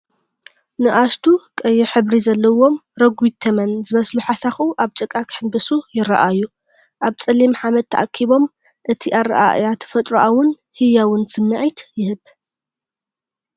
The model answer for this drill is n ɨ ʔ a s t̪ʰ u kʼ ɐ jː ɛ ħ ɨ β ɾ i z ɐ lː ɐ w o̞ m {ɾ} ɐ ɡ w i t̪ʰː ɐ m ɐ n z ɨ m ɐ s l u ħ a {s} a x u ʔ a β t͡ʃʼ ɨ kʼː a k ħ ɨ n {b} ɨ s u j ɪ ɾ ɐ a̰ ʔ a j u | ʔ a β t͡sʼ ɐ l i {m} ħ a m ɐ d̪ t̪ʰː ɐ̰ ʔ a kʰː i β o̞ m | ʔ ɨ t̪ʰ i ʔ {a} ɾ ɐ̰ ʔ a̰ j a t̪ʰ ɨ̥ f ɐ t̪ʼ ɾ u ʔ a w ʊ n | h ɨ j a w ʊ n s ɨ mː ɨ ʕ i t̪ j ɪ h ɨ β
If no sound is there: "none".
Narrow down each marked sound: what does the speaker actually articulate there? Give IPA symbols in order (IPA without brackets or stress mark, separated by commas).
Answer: ɾ, s, b, m, a